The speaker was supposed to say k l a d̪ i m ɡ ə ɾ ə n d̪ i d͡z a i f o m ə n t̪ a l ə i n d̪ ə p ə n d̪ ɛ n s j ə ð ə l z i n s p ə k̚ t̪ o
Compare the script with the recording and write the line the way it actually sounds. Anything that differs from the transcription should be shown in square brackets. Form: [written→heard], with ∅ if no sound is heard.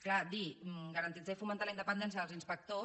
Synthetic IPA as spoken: k l a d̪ i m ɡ ə ɾ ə n [d̪→t̪] i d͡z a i f [o→u] m ə n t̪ a l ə i n d̪ ə p ə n d̪ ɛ n s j ə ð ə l z i n s p ə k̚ t̪ o